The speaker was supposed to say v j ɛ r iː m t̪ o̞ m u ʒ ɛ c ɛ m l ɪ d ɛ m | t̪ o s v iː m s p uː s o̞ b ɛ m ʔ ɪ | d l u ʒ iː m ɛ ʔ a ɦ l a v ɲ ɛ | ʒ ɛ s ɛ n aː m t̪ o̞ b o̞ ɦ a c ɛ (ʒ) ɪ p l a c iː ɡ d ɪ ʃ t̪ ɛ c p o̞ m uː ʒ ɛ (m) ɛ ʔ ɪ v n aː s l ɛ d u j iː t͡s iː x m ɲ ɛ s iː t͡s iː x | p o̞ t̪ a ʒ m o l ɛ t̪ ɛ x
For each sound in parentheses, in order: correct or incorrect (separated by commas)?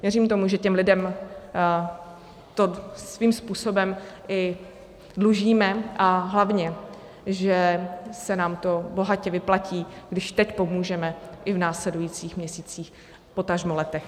incorrect, correct